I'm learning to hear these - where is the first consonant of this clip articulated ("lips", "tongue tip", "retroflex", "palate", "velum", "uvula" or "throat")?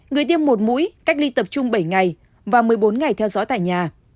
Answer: velum